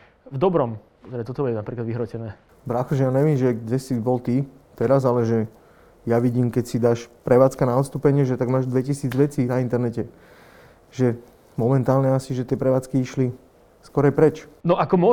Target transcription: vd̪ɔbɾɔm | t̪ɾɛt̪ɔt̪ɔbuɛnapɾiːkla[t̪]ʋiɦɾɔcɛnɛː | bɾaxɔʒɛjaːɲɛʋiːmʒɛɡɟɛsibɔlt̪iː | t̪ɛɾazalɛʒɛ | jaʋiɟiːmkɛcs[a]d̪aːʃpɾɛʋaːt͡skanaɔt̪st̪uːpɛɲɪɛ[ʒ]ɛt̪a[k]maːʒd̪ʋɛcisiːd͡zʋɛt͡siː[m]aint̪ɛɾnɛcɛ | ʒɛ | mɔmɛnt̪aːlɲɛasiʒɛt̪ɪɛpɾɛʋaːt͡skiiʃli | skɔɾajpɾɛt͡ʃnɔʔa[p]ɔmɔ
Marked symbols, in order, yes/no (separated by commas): no, no, yes, no, no, no